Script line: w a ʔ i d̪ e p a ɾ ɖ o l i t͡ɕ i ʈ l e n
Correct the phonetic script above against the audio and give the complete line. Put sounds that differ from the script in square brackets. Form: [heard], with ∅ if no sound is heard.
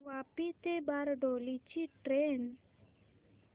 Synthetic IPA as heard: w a [p] i [t̪] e [b] a ɾ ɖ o l i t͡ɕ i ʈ [ɾ] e n